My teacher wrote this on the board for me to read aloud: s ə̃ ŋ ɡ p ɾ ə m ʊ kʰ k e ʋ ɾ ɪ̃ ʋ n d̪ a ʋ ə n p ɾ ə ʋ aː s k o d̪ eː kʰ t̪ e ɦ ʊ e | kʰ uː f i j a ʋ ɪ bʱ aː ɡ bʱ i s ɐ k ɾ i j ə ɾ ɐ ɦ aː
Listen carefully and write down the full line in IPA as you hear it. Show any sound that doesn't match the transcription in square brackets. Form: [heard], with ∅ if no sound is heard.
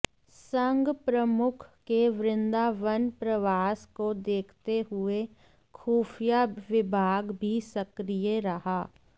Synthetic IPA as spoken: s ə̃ ŋ ɡ p ɾ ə m ʊ kʰ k e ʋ ɾ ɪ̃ [∅] n d̪ a ʋ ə n p ɾ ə ʋ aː s k o d̪ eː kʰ t̪ e ɦ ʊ e | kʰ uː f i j a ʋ ɪ bʱ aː ɡ bʱ i s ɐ k ɾ i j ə ɾ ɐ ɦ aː